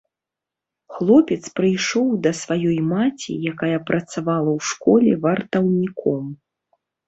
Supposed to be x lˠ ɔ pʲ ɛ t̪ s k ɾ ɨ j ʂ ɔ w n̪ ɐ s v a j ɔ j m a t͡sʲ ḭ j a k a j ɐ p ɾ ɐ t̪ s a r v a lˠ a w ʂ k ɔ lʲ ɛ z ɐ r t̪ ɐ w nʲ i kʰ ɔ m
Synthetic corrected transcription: x lˠ ɔ pʲ ɛ t̪ s p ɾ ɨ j ʂ ɔ w d̪ ɐ s v a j ɔ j m a t͡sʲ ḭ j a k a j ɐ p ɾ ɐ t̪ s a v a lˠ ɐ w ʂ k ɔ lʲ ɛ v ɐ r t̪ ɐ w nʲ i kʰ ɔ m